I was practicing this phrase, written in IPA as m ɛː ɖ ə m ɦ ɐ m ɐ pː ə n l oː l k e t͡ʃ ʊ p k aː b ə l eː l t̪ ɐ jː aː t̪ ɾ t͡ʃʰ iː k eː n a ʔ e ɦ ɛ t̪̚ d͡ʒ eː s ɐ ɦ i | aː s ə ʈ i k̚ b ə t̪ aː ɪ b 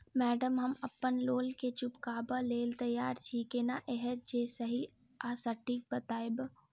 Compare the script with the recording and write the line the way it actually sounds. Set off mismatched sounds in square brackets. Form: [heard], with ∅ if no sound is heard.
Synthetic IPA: m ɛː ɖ ə m ɦ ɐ m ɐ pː ə n l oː l k e t͡ʃ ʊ p k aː b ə l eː l t̪ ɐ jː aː [∅] ɾ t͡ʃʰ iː k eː n a ʔ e ɦ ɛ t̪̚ d͡ʒ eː s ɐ ɦ i | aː s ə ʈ i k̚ b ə t̪ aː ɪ b